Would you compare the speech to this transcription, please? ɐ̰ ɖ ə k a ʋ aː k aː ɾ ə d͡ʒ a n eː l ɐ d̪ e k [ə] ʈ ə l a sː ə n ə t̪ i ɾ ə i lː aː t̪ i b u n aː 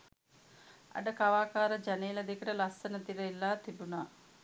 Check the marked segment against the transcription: correct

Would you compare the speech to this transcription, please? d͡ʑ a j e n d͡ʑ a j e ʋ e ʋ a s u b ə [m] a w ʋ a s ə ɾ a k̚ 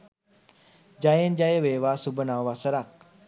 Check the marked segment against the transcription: incorrect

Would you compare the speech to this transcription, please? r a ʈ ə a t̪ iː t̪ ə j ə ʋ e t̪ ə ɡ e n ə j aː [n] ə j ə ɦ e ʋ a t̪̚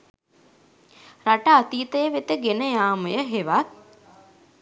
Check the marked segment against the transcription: incorrect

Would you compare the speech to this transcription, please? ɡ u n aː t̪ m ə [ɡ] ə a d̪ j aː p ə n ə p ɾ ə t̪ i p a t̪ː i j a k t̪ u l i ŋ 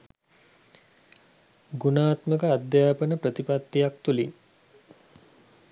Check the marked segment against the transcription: incorrect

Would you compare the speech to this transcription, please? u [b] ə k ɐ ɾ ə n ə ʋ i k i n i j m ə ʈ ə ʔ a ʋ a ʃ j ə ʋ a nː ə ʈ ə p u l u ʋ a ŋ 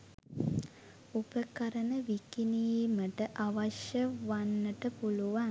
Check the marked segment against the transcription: incorrect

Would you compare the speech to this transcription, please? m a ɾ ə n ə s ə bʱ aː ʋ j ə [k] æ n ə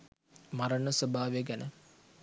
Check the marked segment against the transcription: incorrect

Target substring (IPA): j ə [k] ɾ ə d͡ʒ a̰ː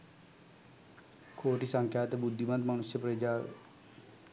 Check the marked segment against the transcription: incorrect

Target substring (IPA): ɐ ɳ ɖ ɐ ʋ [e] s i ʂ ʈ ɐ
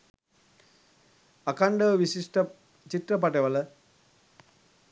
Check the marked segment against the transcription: incorrect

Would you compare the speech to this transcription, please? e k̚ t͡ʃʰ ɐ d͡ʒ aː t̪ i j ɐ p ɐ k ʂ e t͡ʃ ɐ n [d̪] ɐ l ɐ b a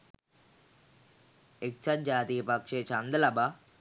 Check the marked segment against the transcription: correct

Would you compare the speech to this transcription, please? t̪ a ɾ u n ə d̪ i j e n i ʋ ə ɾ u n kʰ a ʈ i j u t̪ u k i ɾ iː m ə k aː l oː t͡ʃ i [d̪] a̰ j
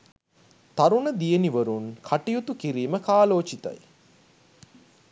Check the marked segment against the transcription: incorrect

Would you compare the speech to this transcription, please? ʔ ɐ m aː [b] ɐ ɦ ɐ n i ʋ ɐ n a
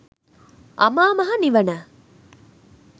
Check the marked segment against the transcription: incorrect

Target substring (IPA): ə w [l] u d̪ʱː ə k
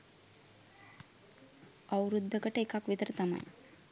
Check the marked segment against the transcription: incorrect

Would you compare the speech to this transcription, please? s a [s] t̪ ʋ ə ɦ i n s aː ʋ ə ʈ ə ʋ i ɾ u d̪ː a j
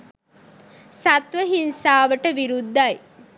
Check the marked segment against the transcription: incorrect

